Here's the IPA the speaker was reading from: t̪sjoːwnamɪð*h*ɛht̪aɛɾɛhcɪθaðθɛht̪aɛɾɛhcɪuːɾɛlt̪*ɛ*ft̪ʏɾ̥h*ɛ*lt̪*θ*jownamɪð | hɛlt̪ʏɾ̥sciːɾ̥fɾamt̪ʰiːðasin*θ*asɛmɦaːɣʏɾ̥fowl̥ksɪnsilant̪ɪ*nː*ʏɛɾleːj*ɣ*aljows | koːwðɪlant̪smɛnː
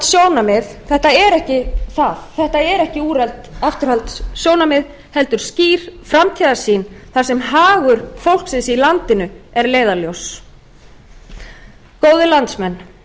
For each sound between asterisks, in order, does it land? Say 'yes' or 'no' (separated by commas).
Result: no, no, no, no, yes, no, no